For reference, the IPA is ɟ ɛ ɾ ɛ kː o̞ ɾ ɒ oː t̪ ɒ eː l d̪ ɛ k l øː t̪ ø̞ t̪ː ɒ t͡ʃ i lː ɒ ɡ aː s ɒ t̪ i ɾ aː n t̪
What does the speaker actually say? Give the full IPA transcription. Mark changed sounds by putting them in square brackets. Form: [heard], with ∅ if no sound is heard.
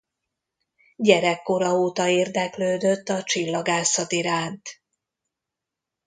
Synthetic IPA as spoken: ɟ ɛ ɾ ɛ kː o̞ ɾ ɒ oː t̪ ɒ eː [r] d̪ ɛ k l øː [d̪] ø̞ t̪ː ɒ t͡ʃ i lː ɒ ɡ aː s ɒ t̪ i ɾ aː n t̪